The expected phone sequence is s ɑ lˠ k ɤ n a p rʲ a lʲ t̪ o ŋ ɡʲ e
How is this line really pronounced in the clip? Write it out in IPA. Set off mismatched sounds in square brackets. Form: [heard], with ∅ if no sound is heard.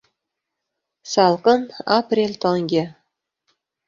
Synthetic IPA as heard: s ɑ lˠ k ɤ n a p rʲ [e] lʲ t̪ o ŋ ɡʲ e